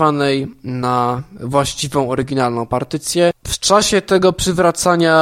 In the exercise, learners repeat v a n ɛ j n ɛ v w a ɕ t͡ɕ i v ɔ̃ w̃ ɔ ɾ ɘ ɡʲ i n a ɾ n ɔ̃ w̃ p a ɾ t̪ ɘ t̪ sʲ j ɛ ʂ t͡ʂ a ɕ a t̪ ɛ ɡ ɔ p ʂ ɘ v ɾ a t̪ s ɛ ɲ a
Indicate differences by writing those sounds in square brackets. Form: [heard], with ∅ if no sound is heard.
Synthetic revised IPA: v a n ɛ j n [a] v w a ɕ t͡ɕ i v ɔ̃ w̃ ɔ ɾ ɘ ɡʲ i n a [l] n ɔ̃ w̃ p a ɾ t̪ ɘ t̪ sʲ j ɛ [f] t͡ʂ a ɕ [ɛ] t̪ ɛ ɡ ɔ p ʂ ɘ v ɾ a t̪ s [a] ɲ a